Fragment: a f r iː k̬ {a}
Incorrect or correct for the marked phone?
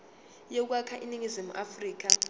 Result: correct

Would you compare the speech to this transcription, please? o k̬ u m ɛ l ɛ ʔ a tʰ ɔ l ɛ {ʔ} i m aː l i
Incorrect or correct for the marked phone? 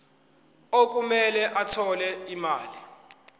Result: incorrect: none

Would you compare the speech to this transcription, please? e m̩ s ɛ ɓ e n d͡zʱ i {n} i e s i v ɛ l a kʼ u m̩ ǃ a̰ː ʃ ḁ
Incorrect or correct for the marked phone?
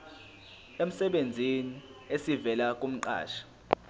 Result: correct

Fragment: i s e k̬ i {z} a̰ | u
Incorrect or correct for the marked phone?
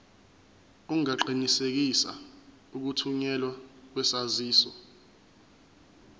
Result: incorrect: s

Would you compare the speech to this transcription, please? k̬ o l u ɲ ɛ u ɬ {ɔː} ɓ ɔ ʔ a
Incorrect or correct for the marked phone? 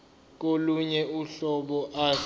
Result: incorrect: ɔ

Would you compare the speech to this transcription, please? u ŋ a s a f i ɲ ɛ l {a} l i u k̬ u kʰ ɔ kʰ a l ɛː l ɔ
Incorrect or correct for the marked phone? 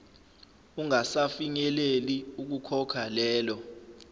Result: incorrect: e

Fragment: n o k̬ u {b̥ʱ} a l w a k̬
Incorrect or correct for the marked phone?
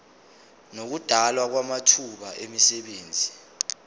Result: incorrect: d̥ʱ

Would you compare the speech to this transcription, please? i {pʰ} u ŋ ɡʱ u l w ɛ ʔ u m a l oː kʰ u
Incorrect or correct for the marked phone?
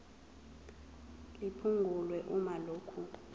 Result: correct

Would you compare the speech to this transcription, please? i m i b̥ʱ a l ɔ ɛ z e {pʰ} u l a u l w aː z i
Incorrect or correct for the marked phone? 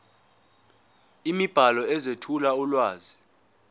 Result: incorrect: tʰ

